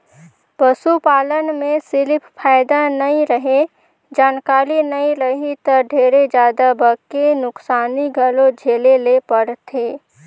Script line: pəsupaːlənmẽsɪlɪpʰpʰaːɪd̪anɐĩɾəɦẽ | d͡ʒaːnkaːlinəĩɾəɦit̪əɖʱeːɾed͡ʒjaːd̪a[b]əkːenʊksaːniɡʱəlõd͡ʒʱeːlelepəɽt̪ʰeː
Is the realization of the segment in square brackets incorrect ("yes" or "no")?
no